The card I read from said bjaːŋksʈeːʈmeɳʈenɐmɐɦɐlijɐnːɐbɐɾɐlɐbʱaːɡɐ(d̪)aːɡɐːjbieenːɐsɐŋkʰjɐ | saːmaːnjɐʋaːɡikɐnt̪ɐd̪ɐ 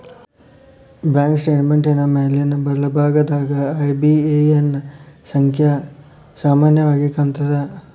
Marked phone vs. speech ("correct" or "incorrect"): correct